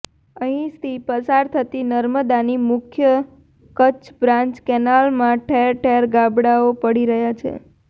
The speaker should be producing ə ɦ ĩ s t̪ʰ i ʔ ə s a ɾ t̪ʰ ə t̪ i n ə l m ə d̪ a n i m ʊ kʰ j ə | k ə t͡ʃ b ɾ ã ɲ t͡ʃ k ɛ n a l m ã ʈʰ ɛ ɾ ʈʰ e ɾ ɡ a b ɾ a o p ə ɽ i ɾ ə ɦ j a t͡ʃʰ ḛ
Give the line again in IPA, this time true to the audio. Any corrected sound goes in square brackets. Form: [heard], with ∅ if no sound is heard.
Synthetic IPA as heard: ə ɦ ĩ s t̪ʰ i [p] ə s a ɾ t̪ʰ ə t̪ i n ə [ɾ] m ə d̪ a n i m ʊ kʰ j ə | k ə t͡ʃ b ɾ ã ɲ t͡ʃ k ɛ n a l m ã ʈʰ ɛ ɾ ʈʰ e ɾ ɡ a b [ɽ] a o p ə ɽ i ɾ ə ɦ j a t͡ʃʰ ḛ